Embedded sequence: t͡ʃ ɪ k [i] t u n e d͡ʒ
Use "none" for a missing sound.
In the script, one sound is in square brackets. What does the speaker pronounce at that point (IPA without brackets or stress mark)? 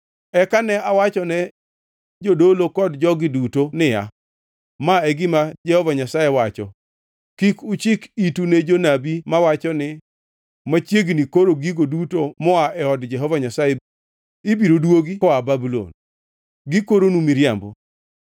i